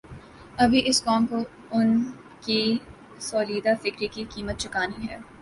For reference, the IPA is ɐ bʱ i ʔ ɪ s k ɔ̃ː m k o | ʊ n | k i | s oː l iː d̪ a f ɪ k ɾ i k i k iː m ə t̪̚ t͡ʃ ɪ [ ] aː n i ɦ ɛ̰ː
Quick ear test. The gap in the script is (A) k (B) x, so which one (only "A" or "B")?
A